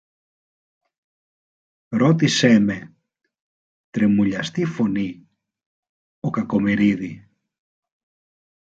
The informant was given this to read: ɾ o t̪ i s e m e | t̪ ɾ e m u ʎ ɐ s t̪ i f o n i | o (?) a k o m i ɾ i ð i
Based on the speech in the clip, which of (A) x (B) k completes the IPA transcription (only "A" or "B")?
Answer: B